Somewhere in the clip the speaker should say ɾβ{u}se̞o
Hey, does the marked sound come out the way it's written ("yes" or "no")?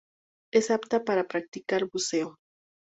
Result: yes